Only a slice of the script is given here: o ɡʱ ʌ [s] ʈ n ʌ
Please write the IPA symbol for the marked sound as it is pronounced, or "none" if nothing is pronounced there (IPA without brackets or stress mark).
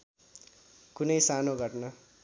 none